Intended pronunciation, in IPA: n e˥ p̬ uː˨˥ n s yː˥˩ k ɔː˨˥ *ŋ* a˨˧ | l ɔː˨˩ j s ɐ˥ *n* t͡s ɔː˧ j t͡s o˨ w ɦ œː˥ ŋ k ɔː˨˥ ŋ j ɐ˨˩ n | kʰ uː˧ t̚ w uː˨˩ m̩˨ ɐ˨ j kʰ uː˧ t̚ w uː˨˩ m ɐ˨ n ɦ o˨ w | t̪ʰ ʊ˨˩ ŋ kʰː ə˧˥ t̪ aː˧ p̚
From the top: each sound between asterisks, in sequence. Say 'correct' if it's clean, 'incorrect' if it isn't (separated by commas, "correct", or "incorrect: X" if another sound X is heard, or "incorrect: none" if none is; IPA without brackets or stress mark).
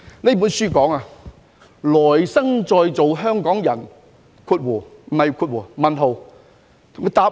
correct, incorrect: ŋ